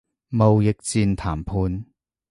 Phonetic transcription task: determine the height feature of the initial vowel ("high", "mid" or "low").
mid